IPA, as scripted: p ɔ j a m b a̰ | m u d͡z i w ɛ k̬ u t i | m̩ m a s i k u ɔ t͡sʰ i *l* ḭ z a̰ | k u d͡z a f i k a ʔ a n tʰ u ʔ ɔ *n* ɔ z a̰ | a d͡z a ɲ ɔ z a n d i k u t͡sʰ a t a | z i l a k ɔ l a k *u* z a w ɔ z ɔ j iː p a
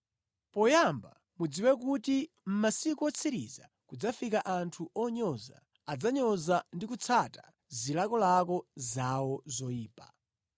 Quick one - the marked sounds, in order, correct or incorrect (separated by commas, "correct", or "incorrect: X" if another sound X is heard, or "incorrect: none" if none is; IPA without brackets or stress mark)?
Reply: incorrect: ɾ, incorrect: ɲ, incorrect: ɔ